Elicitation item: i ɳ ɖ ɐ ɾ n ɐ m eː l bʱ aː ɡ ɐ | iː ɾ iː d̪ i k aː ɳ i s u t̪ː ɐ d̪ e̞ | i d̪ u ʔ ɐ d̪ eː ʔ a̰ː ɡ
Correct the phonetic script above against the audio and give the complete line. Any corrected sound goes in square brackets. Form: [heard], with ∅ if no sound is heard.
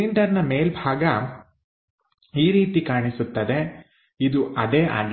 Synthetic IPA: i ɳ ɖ ɐ ɾ n ɐ m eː l bʱ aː ɡ ɐ | iː ɾ iː [t̪] i k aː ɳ i s u t̪ː ɐ d̪ e̞ | i d̪ u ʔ ɐ d̪ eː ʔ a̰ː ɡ